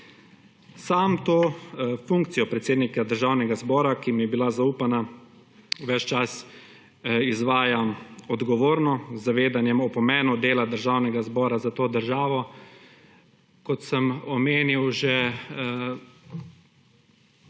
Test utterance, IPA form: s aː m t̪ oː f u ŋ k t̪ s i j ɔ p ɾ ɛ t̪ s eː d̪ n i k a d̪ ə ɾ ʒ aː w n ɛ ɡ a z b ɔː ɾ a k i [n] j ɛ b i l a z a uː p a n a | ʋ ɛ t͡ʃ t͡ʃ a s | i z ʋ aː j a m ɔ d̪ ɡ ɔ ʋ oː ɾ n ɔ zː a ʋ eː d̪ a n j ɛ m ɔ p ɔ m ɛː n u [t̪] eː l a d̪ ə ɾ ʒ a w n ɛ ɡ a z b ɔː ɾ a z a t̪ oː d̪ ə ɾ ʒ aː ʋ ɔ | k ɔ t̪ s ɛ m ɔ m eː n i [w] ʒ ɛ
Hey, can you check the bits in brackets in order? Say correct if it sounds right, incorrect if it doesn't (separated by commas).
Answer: incorrect, incorrect, correct